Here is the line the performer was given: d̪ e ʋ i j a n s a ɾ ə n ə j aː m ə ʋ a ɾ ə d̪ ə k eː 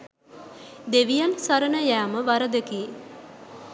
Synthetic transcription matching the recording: d̪ e ʋ i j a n s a ɾ ə n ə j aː m ə ʋ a ɾ ə d̪ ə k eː